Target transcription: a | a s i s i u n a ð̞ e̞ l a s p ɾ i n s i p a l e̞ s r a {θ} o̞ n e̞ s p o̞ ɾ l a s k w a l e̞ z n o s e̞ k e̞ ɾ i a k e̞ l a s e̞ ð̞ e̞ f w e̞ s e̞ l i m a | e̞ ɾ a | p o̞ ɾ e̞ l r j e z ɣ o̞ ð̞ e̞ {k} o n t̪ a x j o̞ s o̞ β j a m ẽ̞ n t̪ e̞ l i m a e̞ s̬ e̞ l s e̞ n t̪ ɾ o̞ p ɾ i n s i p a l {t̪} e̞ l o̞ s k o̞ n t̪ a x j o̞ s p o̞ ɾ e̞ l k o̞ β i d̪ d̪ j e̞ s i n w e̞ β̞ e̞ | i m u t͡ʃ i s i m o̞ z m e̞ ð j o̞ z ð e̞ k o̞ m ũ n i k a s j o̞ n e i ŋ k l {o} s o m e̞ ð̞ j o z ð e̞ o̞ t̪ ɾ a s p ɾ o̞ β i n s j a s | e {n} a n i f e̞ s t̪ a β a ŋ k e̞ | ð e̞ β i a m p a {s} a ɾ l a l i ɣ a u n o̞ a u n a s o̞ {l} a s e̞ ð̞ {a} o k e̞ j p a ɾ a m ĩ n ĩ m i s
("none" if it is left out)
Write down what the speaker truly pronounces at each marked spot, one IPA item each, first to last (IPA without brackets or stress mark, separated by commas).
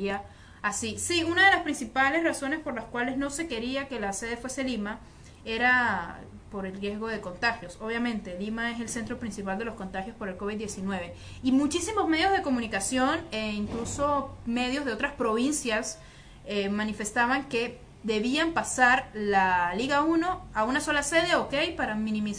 s, k, d̪, u, m, s, l, e